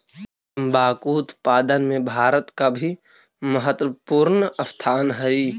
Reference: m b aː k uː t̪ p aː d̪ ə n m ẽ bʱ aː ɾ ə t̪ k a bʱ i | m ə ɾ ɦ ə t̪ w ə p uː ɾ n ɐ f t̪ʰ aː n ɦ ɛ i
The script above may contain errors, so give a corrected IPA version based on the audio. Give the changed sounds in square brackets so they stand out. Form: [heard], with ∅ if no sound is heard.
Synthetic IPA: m b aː k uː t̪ p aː d̪ ə n m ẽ bʱ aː ɾ ə t̪ k a bʱ i | m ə [∅] ɦ ə t̪ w ə p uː ɾ n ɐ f t̪ʰ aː n ɦ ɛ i